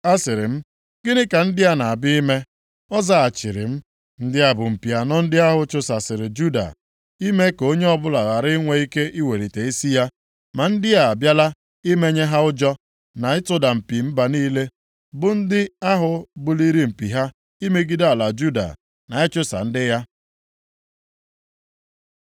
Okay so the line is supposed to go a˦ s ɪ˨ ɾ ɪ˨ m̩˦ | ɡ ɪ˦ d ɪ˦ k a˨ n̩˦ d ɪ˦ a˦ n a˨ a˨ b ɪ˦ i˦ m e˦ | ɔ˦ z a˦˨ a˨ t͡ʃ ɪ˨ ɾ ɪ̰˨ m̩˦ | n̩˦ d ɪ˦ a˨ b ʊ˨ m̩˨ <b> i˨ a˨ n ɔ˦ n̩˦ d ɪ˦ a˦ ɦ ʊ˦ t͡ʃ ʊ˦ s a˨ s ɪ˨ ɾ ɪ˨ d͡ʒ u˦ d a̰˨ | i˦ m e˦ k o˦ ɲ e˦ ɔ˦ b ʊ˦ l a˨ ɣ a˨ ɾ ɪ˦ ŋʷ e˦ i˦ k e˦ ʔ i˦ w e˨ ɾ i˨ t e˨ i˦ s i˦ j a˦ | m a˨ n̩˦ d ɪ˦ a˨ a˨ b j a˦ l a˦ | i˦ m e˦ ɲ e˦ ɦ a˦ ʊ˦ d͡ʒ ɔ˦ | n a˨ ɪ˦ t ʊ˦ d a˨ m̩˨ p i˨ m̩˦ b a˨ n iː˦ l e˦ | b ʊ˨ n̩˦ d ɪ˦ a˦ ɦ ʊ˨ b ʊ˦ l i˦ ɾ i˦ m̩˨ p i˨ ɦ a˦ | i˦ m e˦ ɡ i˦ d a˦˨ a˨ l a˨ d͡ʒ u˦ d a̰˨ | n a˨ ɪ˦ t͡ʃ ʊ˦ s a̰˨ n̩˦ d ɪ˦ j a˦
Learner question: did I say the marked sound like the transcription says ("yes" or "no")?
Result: no